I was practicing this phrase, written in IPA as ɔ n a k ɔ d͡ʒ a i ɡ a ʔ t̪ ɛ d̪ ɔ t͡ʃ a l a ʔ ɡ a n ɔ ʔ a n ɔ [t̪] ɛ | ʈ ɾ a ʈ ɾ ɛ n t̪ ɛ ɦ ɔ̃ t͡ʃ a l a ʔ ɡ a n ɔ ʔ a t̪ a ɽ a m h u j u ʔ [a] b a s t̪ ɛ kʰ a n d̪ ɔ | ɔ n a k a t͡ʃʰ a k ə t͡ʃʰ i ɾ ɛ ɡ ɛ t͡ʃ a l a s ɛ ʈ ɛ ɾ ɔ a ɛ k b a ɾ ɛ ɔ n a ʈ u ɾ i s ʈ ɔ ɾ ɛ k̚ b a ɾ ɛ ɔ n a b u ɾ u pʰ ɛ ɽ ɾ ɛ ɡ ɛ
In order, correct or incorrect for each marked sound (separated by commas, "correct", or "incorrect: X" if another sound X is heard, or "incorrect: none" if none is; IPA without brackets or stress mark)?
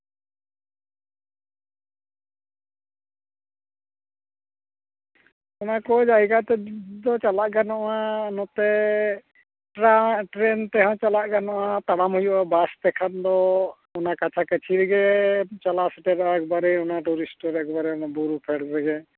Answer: correct, correct